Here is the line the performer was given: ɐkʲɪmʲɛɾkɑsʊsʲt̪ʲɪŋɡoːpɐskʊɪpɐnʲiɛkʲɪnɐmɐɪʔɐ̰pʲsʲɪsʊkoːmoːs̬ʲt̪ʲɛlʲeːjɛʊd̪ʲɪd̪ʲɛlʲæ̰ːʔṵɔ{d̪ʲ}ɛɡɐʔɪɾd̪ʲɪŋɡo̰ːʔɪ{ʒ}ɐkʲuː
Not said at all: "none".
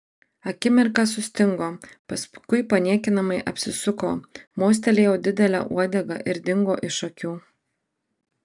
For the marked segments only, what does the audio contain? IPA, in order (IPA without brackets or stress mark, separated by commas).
d̪ʲ, ʃ